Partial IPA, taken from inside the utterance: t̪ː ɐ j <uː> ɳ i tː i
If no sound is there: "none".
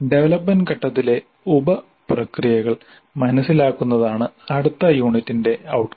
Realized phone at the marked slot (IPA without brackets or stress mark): uː